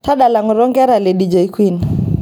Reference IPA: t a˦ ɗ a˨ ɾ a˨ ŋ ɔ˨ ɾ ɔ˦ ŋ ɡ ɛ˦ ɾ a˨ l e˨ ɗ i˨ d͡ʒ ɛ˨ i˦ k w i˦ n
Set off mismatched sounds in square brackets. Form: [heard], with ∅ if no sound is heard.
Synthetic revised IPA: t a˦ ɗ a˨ [l] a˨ ŋ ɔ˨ ɾ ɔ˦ ŋ ɡ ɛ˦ ɾ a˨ l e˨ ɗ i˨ d͡ʒ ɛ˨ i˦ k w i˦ n